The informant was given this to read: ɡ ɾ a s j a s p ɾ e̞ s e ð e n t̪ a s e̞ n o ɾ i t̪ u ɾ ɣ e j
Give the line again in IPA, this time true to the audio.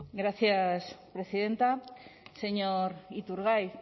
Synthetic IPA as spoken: ɡ ɾ a θ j a s p ɾ e̞ s i ð e n t̪ a s e̞ ɲ o ɾ i t̪ u ɾ ɣ a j